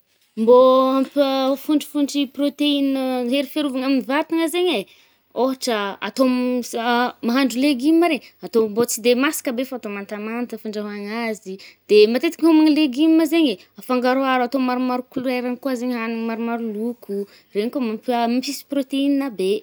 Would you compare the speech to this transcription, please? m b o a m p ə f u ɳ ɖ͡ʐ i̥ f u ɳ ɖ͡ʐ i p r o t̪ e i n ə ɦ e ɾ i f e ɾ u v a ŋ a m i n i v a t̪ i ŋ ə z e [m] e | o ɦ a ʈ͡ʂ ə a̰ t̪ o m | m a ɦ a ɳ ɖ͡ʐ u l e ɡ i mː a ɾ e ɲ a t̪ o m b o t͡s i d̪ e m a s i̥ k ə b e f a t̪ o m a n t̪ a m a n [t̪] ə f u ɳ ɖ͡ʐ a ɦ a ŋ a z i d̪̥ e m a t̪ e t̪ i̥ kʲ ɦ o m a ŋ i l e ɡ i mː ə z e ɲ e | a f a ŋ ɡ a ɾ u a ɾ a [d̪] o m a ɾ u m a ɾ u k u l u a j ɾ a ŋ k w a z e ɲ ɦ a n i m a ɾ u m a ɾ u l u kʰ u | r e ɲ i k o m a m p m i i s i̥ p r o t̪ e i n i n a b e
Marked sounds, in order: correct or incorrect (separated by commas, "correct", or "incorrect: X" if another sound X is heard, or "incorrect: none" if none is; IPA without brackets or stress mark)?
incorrect: ɲ, correct, incorrect: t̪